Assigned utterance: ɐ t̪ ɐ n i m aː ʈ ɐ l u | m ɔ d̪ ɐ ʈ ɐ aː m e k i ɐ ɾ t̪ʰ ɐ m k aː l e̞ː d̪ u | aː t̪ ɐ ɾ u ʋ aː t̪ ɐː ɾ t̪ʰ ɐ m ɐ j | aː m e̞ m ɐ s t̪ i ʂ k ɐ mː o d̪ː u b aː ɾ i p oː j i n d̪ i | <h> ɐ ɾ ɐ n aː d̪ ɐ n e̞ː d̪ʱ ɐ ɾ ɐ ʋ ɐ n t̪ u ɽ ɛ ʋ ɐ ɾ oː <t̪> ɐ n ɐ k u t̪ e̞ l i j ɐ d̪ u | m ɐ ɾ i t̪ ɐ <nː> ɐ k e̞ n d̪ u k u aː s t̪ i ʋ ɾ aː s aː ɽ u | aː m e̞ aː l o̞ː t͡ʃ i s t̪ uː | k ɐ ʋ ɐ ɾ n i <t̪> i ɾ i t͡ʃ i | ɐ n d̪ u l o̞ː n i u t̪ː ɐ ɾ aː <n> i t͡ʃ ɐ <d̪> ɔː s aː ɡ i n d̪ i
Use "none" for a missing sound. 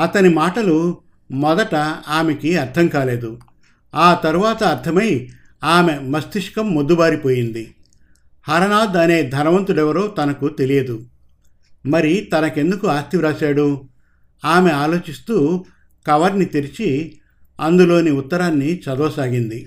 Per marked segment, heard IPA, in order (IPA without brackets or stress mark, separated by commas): h, t̪, n, t̪, nː, d̪